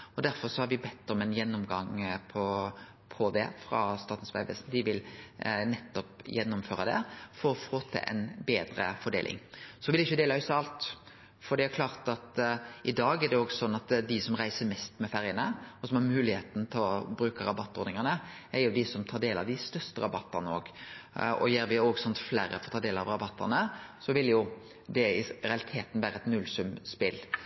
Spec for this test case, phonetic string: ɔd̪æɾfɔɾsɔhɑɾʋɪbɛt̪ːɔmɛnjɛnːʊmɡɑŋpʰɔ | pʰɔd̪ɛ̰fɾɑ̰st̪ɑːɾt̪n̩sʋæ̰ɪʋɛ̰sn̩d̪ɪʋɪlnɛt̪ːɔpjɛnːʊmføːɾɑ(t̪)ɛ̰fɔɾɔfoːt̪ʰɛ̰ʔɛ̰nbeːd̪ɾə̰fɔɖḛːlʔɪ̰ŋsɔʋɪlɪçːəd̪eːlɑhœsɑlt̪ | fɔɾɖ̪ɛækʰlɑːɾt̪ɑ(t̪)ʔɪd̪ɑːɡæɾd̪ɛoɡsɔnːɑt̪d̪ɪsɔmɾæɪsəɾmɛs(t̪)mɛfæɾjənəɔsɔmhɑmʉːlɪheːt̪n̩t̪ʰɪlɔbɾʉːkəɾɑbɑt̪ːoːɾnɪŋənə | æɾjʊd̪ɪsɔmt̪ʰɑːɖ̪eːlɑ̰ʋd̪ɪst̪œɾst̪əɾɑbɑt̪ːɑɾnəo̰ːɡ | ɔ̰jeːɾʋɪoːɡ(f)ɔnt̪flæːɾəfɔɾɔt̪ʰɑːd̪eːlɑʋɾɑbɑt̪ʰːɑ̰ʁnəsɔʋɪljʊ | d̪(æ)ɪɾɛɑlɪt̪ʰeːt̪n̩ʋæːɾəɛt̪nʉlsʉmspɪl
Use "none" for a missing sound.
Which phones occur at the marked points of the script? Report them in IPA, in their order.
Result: d̪, t̪, t̪, s, ɛ

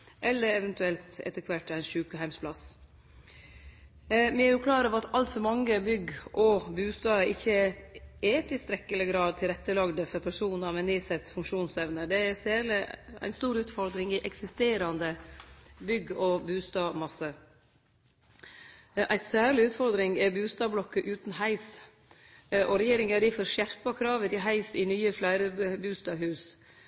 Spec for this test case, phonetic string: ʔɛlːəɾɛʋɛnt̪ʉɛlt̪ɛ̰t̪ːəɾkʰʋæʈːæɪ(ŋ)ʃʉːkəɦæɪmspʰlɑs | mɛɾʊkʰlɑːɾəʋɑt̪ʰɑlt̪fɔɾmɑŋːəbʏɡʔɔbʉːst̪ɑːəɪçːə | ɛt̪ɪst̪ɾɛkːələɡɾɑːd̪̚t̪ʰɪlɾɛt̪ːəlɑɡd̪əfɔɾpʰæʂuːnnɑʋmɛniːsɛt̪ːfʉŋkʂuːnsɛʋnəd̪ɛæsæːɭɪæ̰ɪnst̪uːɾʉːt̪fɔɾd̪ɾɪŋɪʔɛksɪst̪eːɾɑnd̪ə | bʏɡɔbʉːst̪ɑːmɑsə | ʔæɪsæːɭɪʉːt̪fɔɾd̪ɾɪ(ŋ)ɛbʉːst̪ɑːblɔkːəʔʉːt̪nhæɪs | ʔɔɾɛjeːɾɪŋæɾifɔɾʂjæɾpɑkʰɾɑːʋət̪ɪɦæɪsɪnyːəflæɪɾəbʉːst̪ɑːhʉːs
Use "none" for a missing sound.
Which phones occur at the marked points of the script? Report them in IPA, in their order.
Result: n, ŋ

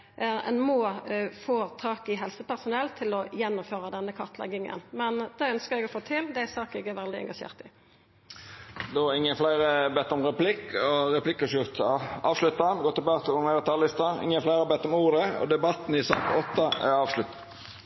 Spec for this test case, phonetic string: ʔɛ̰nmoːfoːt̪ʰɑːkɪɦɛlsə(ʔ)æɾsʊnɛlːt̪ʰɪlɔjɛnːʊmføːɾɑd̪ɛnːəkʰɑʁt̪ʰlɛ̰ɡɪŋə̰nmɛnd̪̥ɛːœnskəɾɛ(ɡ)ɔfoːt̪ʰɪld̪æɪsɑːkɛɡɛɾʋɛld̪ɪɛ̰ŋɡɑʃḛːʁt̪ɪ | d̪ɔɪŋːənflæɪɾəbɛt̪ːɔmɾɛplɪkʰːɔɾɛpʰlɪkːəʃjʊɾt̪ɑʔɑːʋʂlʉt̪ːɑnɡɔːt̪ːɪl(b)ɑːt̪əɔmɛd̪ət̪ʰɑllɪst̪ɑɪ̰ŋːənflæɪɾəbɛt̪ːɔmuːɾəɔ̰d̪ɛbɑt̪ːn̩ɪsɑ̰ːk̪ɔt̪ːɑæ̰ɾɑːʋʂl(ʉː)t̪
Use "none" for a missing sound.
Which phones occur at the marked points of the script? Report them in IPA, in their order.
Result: p, ɡ, b, ʉ

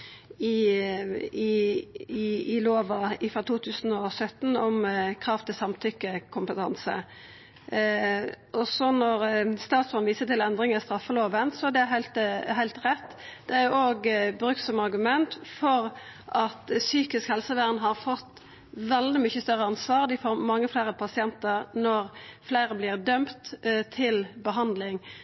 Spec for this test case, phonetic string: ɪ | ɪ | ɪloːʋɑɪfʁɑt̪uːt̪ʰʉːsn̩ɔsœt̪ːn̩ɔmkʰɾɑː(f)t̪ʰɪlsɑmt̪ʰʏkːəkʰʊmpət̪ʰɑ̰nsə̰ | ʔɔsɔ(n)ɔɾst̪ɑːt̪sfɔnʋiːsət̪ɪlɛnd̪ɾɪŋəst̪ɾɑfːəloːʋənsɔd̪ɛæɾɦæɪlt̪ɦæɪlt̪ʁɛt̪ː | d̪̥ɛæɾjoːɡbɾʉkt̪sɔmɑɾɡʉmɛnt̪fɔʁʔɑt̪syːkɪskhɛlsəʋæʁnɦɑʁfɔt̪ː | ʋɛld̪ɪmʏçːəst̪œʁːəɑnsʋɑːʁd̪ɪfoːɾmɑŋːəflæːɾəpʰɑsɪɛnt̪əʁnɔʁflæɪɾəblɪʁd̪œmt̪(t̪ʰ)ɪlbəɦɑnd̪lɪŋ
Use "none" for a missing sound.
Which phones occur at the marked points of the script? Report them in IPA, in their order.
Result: f, n, t̪ʰ

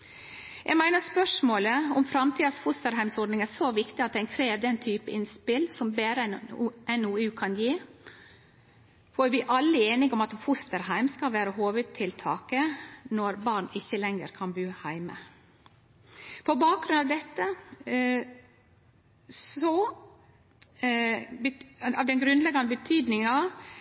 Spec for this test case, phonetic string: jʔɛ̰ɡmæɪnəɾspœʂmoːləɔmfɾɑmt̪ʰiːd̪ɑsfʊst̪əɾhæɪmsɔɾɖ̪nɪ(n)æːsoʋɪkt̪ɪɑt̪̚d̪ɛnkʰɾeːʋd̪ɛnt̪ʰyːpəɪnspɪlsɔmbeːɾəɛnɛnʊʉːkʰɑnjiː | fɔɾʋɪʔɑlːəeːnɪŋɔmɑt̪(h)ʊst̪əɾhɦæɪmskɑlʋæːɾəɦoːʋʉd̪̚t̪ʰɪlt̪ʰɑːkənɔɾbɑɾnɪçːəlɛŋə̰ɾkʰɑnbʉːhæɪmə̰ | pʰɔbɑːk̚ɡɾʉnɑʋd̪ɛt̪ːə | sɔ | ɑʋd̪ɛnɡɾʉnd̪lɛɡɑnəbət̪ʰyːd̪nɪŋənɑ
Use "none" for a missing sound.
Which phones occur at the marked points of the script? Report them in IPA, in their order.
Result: ŋ, f

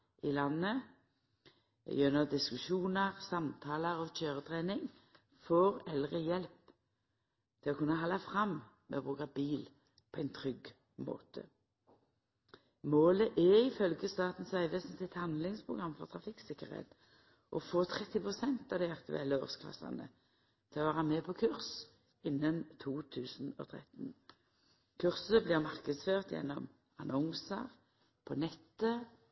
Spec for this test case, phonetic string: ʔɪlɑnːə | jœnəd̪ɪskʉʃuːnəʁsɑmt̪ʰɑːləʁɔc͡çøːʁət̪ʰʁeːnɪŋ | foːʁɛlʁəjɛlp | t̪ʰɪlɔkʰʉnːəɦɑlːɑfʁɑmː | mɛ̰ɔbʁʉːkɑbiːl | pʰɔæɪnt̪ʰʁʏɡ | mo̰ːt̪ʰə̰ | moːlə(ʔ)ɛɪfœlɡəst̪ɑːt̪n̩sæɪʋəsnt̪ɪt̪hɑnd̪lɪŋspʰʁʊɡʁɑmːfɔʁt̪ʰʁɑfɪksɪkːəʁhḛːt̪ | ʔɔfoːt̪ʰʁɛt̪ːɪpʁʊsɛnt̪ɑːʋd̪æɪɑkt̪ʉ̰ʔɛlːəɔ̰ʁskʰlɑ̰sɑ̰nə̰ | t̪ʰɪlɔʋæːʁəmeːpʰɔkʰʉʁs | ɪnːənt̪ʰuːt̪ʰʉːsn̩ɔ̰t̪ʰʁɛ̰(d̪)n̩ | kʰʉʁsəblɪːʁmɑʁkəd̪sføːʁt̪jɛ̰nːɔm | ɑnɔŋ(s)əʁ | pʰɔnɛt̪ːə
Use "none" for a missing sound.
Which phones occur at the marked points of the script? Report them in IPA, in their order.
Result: ʔ, t̪, s

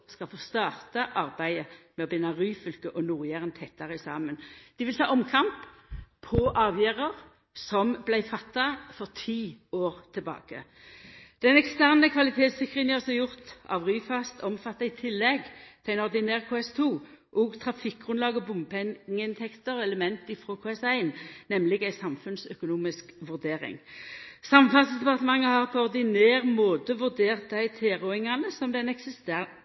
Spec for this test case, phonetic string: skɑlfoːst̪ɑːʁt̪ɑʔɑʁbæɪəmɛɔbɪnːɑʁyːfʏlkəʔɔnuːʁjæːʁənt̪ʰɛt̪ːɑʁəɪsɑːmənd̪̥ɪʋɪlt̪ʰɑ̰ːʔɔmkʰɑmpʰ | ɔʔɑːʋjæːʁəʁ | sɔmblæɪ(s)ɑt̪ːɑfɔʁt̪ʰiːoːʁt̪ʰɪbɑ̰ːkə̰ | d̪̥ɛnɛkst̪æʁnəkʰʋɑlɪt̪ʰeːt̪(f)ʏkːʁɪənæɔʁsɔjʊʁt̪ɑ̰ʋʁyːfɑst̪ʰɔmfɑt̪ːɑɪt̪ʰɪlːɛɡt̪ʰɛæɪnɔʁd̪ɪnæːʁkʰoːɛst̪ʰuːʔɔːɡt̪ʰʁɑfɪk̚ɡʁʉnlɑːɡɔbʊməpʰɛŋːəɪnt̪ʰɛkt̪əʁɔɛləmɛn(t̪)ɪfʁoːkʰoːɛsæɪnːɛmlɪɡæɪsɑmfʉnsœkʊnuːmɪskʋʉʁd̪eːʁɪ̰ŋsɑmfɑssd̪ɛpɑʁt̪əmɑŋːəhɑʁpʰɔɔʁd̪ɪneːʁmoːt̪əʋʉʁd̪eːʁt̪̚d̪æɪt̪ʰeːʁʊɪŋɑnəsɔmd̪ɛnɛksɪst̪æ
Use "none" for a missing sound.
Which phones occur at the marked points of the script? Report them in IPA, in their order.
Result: f, s, t̪

